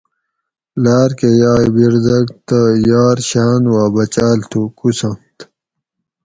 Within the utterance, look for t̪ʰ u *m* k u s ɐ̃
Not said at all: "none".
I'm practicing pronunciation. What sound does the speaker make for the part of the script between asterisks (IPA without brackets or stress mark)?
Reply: none